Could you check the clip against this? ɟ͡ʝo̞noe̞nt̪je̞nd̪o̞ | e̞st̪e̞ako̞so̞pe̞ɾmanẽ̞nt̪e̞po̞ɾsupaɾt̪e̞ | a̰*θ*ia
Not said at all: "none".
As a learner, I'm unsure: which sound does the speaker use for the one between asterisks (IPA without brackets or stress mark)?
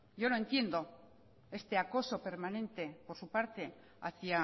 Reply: θ